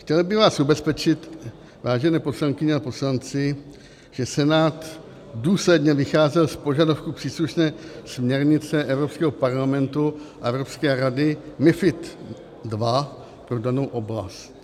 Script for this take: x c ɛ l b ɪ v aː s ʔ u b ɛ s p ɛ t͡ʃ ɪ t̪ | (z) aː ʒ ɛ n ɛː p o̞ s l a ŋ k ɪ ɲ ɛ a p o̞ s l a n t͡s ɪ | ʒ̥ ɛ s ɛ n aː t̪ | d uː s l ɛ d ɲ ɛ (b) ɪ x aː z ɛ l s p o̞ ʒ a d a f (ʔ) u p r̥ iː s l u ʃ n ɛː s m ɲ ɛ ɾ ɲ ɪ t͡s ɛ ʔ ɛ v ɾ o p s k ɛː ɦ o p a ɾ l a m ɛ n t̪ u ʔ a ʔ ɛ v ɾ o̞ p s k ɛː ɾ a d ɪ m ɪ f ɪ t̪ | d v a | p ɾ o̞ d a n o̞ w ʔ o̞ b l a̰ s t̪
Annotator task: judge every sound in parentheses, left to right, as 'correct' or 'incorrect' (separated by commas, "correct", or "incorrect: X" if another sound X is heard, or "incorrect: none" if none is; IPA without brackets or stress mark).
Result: incorrect: v, incorrect: v, incorrect: k